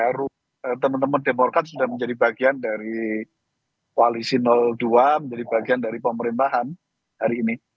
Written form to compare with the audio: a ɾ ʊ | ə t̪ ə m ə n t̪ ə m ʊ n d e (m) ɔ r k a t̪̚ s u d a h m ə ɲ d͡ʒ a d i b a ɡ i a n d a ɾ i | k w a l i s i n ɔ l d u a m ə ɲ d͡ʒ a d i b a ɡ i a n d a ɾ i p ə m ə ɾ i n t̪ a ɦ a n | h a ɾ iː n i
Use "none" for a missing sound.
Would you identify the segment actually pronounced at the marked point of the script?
m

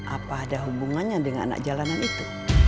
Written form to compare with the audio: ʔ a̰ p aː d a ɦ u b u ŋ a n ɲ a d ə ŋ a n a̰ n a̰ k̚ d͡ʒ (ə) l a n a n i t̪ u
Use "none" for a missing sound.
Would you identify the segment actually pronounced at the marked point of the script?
a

